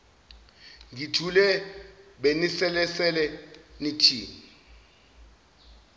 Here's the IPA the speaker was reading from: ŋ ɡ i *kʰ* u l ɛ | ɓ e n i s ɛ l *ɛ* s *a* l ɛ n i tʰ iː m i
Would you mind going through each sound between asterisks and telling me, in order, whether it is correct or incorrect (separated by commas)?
incorrect, correct, incorrect